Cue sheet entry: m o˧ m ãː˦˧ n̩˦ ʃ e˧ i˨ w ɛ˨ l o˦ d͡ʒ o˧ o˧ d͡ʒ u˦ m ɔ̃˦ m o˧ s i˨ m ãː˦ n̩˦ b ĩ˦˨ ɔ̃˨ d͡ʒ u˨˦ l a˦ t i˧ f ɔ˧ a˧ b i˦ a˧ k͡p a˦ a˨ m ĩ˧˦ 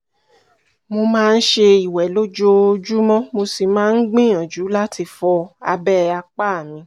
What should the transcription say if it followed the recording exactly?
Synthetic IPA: m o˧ m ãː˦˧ n̩˦ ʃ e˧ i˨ w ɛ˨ l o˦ d͡ʒ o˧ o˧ d͡ʒ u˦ m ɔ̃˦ m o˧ s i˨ m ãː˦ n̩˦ ɡ͡b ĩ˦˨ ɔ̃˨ d͡ʒ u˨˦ l a˦ t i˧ f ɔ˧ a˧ b ɛ˦ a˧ k͡p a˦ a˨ m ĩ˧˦